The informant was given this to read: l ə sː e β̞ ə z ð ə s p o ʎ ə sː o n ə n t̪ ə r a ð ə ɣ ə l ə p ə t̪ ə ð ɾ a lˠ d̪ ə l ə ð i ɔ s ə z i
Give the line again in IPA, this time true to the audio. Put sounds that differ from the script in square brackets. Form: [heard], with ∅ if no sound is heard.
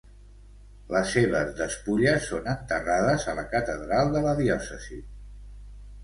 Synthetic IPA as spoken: l ə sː e β̞ ə z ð ə s p [u] ʎ ə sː o n ə n t̪ ə r a ð ə [z] ə l ə [k] ə t̪ ə ð ɾ a lˠ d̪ ə l ə ð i ɔ s ə z i